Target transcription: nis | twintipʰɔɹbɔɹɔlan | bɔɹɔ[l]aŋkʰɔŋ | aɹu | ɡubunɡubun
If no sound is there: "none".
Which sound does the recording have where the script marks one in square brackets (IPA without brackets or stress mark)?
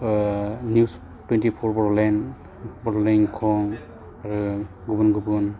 l